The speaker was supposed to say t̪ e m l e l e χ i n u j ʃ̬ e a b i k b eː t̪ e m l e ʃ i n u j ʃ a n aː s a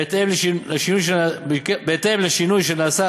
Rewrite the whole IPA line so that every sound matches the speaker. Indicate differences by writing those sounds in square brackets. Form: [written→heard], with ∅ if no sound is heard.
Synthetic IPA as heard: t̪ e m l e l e [χ→ʃ] i n u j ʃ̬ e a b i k b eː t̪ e m l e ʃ i n u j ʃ [a→e] n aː s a